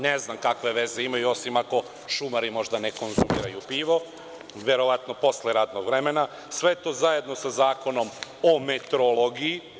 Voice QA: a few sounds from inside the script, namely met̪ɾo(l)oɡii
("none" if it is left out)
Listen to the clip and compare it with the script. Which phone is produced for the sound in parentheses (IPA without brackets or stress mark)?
l